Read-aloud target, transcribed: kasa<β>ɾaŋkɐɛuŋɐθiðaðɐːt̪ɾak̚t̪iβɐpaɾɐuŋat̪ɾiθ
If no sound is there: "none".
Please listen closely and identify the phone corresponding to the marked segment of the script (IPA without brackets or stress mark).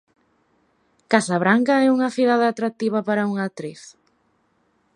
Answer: β